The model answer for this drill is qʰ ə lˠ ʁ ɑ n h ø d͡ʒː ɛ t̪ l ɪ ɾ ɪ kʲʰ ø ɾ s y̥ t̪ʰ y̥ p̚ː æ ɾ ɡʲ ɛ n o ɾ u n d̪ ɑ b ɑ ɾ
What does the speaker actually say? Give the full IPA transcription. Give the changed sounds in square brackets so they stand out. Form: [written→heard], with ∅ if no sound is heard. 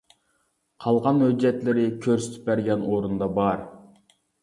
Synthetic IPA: qʰ [ə→ɑ] lˠ ʁ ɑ n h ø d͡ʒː ɛ t̪ l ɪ ɾ ɪ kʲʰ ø ɾ s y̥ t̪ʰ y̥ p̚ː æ ɾ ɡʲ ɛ n o ɾ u n d̪ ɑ b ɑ ɾ